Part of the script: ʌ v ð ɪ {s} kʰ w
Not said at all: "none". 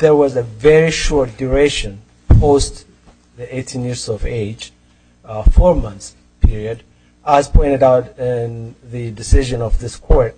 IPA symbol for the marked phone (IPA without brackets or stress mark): s